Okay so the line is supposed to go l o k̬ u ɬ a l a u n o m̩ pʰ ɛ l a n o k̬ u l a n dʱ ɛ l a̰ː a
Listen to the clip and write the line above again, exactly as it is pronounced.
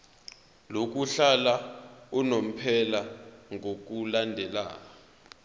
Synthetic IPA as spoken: l o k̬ u ɬ a l a u n o m̩ pʰ ɛ l a ŋ o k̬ u l a n dʱ ɛ l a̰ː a